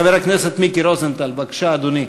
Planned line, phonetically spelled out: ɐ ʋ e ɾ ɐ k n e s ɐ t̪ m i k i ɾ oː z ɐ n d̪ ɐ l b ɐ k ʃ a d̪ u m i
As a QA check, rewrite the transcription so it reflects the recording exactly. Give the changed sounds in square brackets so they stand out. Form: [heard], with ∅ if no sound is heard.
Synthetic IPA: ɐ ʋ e ɾ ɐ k n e s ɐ t̪ m i k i ɾ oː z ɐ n [t̪] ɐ l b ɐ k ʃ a d̪ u [n] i